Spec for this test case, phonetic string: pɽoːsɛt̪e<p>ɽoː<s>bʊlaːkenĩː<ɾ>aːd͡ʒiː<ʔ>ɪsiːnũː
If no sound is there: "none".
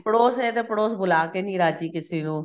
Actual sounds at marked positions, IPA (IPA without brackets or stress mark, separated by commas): p, s, ɾ, k